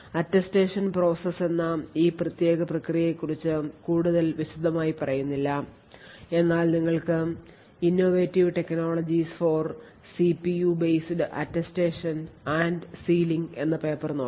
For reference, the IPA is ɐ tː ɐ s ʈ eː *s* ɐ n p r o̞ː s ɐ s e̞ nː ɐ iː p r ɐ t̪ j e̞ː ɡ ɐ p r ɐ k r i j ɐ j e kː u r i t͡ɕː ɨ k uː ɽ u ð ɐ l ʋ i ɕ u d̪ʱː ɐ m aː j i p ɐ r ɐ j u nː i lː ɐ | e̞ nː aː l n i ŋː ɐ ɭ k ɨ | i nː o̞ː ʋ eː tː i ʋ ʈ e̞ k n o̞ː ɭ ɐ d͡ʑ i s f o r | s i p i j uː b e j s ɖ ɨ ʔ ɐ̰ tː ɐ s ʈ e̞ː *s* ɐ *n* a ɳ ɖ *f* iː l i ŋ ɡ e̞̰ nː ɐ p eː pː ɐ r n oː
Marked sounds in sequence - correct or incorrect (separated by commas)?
incorrect, incorrect, correct, incorrect